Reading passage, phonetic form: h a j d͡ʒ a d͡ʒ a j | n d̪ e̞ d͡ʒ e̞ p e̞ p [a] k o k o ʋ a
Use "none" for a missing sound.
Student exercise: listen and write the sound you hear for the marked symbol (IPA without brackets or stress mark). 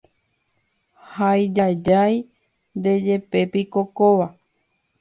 i